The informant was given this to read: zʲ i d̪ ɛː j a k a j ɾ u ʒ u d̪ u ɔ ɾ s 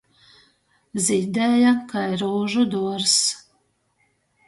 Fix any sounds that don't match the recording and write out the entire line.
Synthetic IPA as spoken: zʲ i d̪ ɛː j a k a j ɾ uː ʒ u d̪ u ɔ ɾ s